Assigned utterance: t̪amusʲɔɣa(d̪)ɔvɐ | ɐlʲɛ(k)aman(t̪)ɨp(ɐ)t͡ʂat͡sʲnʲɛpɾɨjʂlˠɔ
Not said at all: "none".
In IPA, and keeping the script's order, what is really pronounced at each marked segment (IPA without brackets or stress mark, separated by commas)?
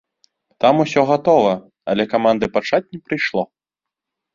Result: t̪, k, d̪, a